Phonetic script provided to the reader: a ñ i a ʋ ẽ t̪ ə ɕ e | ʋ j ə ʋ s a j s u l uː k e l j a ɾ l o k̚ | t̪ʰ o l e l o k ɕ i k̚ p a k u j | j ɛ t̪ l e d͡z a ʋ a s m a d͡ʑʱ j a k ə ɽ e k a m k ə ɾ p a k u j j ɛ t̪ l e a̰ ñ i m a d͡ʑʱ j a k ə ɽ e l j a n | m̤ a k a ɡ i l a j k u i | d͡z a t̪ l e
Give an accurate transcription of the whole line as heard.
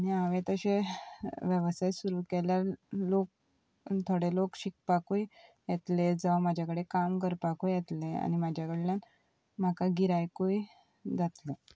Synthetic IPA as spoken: a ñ i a ʋ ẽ t̪ ə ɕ e | ʋ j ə ʋ s a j s u ɾ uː k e l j a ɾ l o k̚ | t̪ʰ o ɽ e l o k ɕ i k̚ p a k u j | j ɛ t̪ l e d͡z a ʋ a m a d͡ʑʱ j a k ə ɽ e k a m k ə ɾ p a k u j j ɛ t̪ l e a̰ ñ i m a d͡ʑʱ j a k ə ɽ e l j a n | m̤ a k a ɡ i ɾ a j k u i | d͡z a t̪ l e

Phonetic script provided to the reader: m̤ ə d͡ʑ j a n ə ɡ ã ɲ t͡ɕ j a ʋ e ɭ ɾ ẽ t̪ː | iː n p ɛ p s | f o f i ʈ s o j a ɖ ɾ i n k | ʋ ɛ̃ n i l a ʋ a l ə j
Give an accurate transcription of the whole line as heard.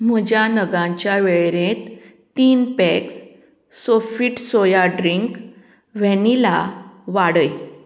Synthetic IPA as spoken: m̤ ə d͡ʑ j a n ə ɡ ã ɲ t͡ɕ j a ʋ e ɭ ɾ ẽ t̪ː | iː n p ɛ k s | s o f i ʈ s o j a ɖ ɾ i ŋ k | ʋ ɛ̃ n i l a ʋ a ɽ ə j

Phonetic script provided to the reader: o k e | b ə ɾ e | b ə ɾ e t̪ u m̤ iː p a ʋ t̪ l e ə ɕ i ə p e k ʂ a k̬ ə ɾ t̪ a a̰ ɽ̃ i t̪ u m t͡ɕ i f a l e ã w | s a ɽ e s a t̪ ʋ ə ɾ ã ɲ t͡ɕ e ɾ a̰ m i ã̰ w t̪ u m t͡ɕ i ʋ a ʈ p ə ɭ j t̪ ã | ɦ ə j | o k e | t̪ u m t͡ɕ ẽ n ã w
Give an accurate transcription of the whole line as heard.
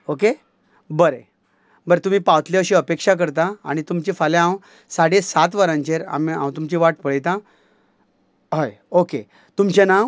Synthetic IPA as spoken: o k e | b ə ɾ e | b ə ɾ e t̪ u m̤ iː p a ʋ t̪ l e ə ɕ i ə p e k ʂ a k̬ ə ɾ t̪ a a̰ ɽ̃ i t̪ u m t͡ɕ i f a l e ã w | s a ɽ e s a t̪ ʋ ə ɾ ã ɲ t͡ɕ e ɾ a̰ m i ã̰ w t̪ u m t͡ɕ i ʋ a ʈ p ə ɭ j t̪ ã | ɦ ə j | o k e | t̪ u m t͡ɕ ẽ n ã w

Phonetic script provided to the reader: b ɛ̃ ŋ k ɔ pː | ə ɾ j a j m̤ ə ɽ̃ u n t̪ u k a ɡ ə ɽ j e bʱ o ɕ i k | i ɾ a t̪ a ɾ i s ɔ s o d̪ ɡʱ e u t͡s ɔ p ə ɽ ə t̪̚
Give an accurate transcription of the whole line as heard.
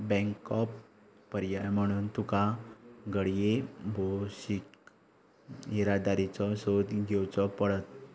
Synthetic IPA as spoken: b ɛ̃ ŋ k ɔ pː | ə ɾ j a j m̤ ə ɽ̃ uː n t̪ u k a ɡ ə ɽ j e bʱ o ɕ i k | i ɾ a d̪ a ɾ i t͡s ɔ s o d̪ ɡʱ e w t͡s ɔ p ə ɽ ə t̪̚

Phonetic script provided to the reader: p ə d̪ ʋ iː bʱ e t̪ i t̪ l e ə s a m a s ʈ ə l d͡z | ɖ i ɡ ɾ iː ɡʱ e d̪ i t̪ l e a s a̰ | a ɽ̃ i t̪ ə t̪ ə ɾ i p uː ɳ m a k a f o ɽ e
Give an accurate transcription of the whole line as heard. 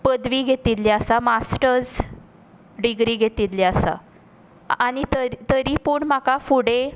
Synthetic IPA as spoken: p ə d̪ ʋ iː ɡʱ e t̪ i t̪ l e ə s a m a s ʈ ə ɾ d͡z | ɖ i ɡ ɾ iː ɡʱ e t̪ i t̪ l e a s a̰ | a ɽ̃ i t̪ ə t̪ ə ɾ i p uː ɳ m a k a f u ɽ e

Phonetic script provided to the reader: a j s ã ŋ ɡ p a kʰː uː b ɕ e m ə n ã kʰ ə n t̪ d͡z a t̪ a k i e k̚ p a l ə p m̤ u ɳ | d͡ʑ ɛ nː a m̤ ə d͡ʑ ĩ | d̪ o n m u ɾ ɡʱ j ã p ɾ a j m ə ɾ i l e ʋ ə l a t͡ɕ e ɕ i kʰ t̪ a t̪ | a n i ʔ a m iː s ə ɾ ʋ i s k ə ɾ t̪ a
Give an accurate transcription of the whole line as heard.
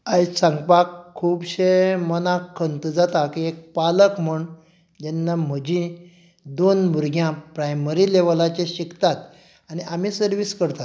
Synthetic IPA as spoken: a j s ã ŋ ɡ p a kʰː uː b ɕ e m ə n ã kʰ ə n t̪ d͡z a t̪ a k i e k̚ p a l ə k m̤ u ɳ | d͡ʑ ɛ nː a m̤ ə d͡ʑ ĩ | d̪ o n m u ɾ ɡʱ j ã p ɾ a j m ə ɾ i l e ʋ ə l a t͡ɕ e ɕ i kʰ t̪ a t̪ | a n i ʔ a m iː s ə ɾ ʋ i s k ə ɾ t̪ a

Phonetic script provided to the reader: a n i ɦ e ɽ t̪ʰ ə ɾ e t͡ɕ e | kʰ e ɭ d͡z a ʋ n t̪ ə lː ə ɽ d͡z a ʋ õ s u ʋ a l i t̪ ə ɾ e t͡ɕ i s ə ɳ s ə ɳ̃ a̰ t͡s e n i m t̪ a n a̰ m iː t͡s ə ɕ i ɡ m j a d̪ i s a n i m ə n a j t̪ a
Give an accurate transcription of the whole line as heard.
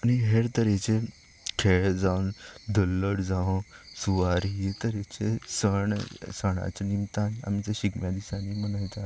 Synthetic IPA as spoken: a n i ɦ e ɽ t̪ ə ɾ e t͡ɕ e | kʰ e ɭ d͡z a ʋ n d̪ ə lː ə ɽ d͡z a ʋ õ s u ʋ a ɾ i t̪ ə ɾ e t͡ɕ e s ə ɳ s ə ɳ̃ a̰ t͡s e n i m t̪ a n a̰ m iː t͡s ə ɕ i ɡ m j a d̪ i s a n i m ə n a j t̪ a

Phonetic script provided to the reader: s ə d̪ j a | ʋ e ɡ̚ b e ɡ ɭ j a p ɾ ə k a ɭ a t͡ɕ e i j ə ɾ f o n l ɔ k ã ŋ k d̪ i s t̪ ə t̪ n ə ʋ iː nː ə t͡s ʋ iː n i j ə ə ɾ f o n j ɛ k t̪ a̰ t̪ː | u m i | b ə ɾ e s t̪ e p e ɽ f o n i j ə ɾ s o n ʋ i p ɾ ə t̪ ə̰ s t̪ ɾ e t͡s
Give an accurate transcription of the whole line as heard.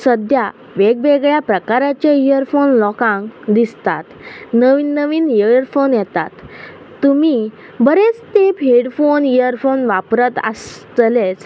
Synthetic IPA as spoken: s ə d̪ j a | ʋ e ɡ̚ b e ɡ ɭ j a p ɾ ə k a ɾ a t͡ɕ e i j ə ɾ f o n l ɔ k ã ŋ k d̪ i s t̪ a t̪ n ə ʋ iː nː ə ʋ iː n i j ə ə ɾ f o n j ɛ t̪ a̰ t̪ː | u m i | b ə ɾ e t͡s t̪ e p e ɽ f o n i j ə ɾ f o n ʋ a p ɾ ə t̪ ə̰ s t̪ l e t͡s

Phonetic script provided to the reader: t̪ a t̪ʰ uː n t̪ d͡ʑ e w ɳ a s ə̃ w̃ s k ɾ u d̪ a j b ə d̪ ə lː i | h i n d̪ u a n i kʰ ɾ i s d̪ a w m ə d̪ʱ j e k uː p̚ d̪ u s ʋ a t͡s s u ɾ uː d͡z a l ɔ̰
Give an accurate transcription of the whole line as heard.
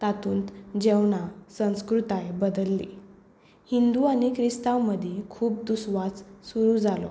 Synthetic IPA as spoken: t̪ a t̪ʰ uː n t̪ d͡ʑ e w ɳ a s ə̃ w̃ s k ɾ u t̪ a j b ə d̪ ə lː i | h i n d̪ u a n i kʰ ɾ i s t̪ a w m ə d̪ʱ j e kʰ uː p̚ d̪ u s ʋ a t͡s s u ɾ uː d͡z a l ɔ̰

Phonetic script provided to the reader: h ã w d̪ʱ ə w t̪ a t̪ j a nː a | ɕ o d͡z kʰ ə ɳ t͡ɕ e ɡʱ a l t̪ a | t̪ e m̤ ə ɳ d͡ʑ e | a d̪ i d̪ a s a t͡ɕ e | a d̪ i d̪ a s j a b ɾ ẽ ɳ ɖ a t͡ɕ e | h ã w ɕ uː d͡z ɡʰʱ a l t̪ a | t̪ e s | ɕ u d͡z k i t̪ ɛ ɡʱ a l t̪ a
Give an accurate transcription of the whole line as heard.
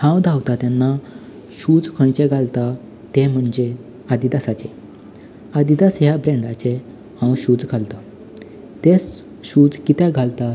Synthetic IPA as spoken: h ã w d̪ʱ a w t̪ a t̪ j a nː a | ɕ u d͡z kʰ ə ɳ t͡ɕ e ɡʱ a l t̪ a | t̪ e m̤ ə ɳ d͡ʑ e | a d̪ i d̪ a s a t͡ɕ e | a d̪ i d̪ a s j a b ɾ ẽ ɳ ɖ a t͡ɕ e | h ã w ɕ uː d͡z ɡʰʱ a l t̪ a | t̪ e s | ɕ u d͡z k i t̪ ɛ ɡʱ a l t̪ a

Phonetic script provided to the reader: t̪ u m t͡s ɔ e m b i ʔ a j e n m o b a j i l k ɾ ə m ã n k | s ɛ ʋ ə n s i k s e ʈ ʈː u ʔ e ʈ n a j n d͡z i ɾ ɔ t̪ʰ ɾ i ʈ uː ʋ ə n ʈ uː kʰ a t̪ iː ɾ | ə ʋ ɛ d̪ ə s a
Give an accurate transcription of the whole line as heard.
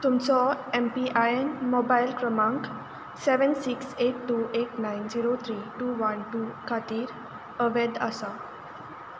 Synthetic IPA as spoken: t̪ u m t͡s ɔ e m p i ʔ a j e n m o b a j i l k ɾ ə m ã ŋ k | s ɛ ʋ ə n s i k s e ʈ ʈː u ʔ e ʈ n a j n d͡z i ɾ o t̪ʰ ɾ i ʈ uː ʋ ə n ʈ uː kʰ a t̪ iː ɾ | ə ʋ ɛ d̪ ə s a

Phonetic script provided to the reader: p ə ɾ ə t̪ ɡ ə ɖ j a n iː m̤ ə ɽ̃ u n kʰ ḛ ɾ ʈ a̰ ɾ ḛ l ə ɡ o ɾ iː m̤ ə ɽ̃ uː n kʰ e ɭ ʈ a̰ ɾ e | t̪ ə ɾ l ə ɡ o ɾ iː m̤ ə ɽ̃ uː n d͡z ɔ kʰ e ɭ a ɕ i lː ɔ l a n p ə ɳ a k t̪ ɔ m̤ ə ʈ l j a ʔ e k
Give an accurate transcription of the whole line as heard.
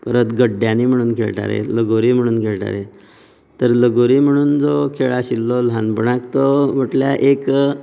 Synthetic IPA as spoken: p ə ɾ ə t̪ ɡ ə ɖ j a n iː m̤ ə ɽ̃ uː n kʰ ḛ ɭ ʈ a̰ ɾ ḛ l ə ɡ o ɾ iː m̤ ə ɽ̃ uː n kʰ e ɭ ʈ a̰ ɾ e | t̪ ə ɾ l ə ɡ o ɾ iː m̤ ə ɽ̃ uː n d͡z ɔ kʰ e ɭ a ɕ i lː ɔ l a n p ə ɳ a k t̪ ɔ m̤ ə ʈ l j a ʔ e k

